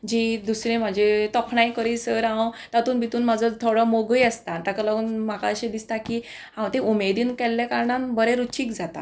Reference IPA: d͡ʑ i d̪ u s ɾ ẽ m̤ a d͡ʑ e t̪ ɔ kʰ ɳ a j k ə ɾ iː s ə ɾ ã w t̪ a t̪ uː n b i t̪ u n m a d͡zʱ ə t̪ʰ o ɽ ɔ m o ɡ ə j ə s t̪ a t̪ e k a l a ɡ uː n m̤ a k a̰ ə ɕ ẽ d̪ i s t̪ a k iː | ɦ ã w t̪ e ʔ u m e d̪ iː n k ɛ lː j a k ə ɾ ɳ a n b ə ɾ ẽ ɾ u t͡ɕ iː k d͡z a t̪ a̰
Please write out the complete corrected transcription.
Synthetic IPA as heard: d͡ʑ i d̪ u s ɾ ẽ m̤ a d͡ʑ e t̪ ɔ kʰ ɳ a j k ə ɾ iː s ə ɾ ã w t̪ a t̪ uː n b i t̪ uː n m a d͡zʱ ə t̪ʰ o ɽ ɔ m o ɡ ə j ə s t̪ a t̪ a k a l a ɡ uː n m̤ a k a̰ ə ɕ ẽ d̪ i s t̪ a k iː | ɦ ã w t̪ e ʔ u m e d̪ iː n k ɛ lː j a k a ɾ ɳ a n b ə ɾ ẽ ɾ u t͡ɕ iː k d͡z a t̪ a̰

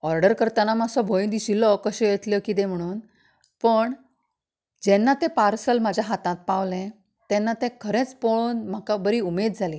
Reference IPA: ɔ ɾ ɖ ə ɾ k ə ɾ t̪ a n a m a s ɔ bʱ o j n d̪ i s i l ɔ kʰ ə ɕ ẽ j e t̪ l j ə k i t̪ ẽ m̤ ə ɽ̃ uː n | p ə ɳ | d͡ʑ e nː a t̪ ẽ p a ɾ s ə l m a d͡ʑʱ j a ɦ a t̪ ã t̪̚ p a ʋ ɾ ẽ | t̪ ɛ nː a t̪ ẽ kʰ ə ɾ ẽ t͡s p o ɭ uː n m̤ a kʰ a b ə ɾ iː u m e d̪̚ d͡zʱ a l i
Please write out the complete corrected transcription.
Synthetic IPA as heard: ɔ ɾ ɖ ə ɾ k ə ɾ t̪ a n a m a s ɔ bʱ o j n d̪ i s i l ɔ k ə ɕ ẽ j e t̪ l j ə k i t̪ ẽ m̤ ə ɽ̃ uː n | p ə ɳ | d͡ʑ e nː a t̪ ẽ p a ɾ s ə l m a d͡ʑʱ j a ɦ a t̪ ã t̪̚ p a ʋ l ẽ | t̪ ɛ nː a t̪ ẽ kʰ ə ɾ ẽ t͡s p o ɭ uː n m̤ a k a b ə ɾ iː u m e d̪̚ d͡zʱ a l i

